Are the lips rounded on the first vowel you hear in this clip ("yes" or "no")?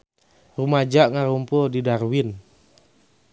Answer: yes